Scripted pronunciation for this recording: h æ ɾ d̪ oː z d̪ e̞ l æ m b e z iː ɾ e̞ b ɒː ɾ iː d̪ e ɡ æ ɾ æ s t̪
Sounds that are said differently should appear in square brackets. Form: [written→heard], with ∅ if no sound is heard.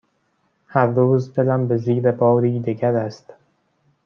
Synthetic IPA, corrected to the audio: h æ ɾ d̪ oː z d̪ e̞ l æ m b e z iː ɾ e̞ b ɒː ɾ iː d̪ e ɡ æ ɾ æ s t̪